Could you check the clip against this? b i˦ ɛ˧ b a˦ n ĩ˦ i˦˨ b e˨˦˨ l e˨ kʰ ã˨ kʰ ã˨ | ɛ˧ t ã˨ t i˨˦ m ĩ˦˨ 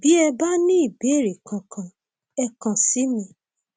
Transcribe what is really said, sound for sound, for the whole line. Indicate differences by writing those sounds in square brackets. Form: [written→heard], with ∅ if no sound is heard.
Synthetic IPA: b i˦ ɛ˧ b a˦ n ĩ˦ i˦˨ b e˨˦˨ [l→ɾ] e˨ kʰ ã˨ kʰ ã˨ | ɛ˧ [t→k] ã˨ [t→s] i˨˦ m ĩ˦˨